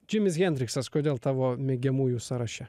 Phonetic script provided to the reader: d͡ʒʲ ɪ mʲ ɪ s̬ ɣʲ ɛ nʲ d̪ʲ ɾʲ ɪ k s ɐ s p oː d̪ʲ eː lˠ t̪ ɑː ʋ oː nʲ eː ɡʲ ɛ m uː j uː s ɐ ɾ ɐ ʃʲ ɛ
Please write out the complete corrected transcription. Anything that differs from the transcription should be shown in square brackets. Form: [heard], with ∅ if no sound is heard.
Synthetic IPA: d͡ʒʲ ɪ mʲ ɪ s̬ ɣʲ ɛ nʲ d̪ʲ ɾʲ ɪ k s ɐ s [k] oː d̪ʲ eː lˠ t̪ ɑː ʋ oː [mʲ] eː ɡʲ ɛ m uː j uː s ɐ ɾ ɐ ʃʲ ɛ